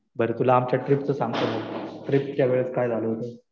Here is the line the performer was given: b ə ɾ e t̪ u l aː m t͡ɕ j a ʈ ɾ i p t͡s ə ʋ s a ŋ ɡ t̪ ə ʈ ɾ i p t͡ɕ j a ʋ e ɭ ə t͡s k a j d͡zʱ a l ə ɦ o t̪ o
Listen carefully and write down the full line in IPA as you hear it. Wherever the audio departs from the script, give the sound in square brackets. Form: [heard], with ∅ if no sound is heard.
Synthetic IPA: b ə ɾ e t̪ u l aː m t͡ɕ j a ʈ ɾ i p t͡s ə [∅] s a ŋ ɡ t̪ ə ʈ ɾ i p t͡ɕ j a ʋ e ɭ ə t͡s k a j d͡zʱ a l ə ɦ o t̪ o